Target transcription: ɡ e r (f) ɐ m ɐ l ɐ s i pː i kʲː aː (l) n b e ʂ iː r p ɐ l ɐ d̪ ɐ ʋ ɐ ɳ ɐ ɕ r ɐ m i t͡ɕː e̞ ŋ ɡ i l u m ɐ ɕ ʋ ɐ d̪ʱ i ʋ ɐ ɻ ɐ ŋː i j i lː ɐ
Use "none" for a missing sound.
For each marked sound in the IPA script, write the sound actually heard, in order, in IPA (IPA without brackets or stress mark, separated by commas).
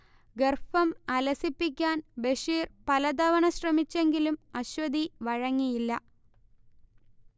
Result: f, none